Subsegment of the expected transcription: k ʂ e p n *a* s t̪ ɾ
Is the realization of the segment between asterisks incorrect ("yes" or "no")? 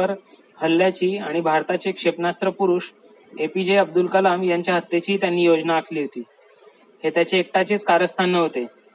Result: no